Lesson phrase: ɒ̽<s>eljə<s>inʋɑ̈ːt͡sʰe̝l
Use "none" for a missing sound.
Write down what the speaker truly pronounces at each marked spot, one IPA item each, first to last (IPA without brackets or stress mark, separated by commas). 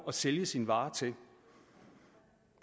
s, s